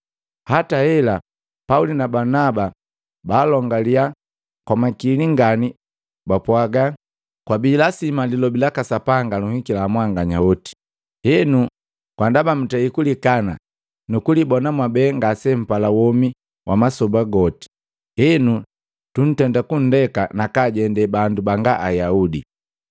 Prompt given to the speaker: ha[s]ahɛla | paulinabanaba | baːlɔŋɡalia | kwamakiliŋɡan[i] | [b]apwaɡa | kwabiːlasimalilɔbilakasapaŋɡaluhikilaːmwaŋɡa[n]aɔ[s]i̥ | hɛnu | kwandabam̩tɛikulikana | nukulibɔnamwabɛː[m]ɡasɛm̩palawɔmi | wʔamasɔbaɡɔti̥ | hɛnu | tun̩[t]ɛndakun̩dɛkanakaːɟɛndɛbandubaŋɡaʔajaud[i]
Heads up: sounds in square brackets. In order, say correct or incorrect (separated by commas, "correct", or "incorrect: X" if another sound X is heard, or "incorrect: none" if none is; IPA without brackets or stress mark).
incorrect: t, correct, correct, incorrect: ɲ, incorrect: t, incorrect: ŋ, correct, correct